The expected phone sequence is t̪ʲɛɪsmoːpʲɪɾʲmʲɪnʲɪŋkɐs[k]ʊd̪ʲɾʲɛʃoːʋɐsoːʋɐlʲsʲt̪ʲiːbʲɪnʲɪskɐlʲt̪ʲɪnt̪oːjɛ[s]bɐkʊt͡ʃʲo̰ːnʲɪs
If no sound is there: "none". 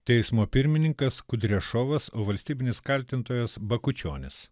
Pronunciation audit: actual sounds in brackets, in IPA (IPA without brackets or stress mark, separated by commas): k, s